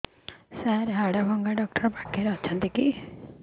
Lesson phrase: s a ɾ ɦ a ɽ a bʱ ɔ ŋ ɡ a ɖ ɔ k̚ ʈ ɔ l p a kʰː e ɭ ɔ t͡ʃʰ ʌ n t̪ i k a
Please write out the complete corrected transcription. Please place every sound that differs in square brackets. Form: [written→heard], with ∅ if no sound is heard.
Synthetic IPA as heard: s a ɾ ɦ a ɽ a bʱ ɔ ŋ ɡ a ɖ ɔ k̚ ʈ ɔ [l→ɾ] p a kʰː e [ɭ→ɾ] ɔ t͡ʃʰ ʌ n t̪ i k [a→i]